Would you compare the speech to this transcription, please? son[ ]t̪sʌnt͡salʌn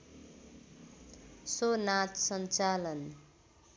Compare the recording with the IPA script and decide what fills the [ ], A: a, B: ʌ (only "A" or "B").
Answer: A